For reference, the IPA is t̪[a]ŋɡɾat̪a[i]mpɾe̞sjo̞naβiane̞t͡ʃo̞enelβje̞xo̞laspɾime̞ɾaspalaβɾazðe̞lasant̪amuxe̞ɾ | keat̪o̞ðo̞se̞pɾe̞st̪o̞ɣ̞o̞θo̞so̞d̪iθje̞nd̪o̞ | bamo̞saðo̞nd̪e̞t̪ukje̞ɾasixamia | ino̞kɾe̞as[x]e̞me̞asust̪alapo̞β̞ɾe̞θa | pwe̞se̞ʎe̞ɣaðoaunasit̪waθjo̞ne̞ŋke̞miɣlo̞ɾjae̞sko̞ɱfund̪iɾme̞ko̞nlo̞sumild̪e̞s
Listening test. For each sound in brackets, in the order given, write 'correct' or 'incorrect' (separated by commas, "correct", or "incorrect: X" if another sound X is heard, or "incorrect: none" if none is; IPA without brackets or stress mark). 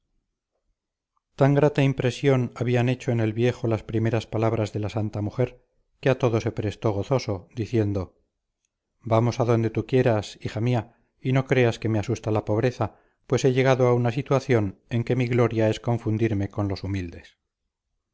correct, correct, incorrect: k